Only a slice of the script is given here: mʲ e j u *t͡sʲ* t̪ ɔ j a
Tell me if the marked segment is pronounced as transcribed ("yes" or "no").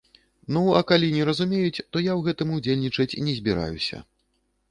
yes